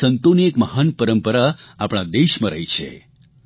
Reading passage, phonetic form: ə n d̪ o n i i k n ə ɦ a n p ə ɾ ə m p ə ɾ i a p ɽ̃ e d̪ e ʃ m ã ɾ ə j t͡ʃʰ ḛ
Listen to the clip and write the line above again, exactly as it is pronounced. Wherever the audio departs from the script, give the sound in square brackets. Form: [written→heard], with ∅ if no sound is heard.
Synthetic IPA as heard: ə n [d̪→t̪] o n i [i→e] k [n→m] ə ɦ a n p ə ɾ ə m p ə ɾ [i→a] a p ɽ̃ [e→a] d̪ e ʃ m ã ɾ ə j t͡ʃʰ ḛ

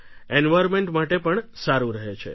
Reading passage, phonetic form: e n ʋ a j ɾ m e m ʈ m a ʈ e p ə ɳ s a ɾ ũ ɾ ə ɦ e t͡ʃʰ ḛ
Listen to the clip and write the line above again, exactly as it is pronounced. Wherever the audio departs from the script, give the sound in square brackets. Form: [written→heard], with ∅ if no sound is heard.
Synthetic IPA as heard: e n ʋ a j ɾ m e [m→ɳ] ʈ m a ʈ e p ə ɳ s a ɾ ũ ɾ ə ɦ e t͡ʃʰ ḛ

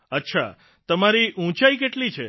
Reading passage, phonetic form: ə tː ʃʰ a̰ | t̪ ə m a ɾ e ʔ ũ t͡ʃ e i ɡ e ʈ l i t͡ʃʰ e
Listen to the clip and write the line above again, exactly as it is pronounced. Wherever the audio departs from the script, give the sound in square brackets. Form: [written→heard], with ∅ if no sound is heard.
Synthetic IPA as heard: ə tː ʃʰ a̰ | t̪ ə m a ɾ [e→i] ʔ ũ t͡ʃ [e→a] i [ɡ→k] e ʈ l i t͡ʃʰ e

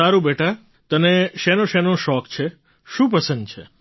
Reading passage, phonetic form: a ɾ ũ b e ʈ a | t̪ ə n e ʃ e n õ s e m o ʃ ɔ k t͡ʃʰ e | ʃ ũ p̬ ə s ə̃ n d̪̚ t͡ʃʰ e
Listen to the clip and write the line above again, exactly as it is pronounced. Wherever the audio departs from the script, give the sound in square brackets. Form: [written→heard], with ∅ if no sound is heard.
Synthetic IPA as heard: a ɾ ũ b e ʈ a | t̪ ə n e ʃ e n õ [s→ʃ] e [m→n] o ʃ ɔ k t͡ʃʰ e | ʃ ũ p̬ ə s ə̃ n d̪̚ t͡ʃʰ e

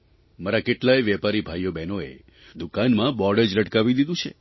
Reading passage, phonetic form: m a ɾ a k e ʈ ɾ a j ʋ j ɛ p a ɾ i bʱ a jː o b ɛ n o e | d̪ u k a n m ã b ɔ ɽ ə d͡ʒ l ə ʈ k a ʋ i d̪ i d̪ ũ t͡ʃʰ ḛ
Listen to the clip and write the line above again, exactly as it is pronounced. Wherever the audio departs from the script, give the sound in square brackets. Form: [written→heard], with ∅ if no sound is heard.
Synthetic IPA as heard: m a ɾ a k e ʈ [ɾ→l] a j ʋ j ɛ p a ɾ i bʱ a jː o b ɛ n o e | d̪ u k a n m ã b ɔ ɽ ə d͡ʒ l ə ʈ k a ʋ i d̪ i d̪ ũ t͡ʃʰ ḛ

